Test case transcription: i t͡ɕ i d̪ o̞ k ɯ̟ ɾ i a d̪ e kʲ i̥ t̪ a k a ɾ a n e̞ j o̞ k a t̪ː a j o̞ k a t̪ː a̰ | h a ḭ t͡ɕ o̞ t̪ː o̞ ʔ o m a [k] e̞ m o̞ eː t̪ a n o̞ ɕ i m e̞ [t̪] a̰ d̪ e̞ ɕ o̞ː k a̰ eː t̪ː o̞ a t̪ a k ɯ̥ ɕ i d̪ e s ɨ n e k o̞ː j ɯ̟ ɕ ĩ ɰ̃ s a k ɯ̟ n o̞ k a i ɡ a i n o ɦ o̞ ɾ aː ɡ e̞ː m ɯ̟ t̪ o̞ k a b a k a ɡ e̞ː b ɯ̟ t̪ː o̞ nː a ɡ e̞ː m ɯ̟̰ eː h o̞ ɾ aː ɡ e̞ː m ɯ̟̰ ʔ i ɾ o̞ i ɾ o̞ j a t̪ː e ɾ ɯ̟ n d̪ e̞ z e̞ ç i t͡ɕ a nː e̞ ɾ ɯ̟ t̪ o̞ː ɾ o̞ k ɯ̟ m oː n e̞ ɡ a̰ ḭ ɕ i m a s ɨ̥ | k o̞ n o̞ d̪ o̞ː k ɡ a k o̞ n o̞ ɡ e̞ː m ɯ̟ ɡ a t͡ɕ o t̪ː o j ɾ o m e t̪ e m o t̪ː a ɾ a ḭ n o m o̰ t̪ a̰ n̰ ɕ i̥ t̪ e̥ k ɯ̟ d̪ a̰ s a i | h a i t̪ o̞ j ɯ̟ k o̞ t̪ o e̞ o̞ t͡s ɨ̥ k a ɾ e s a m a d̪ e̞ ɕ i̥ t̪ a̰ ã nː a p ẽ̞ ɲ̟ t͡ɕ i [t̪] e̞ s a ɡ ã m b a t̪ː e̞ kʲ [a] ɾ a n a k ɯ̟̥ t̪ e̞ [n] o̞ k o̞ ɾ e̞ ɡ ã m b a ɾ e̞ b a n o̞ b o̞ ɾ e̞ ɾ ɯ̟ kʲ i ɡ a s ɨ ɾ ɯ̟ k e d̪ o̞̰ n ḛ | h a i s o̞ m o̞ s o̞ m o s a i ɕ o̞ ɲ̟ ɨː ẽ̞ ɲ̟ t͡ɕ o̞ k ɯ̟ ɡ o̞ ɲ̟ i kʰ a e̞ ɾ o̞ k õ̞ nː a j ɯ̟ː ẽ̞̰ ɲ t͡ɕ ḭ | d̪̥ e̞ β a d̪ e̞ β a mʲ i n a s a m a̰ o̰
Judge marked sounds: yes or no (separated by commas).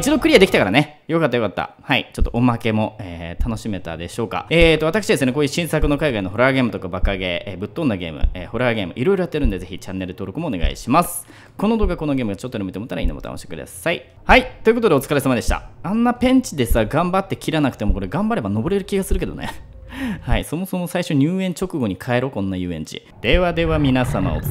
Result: yes, yes, no, no, no